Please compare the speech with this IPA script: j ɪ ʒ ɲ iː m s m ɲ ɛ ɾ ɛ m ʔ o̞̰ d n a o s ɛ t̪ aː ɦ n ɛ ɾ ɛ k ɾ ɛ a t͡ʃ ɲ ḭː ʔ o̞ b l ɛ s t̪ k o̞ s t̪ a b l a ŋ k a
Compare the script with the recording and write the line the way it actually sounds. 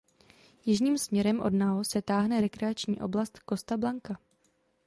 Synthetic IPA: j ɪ ʒ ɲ iː m s m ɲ ɛ ɾ ɛ m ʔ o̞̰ d n a o s ɛ t̪ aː ɦ n ɛ ɾ ɛ k ɾ ɛ a t͡ʃ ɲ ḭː ʔ o̞ b l a s t̪ k o̞ s t̪ a b l a ŋ k a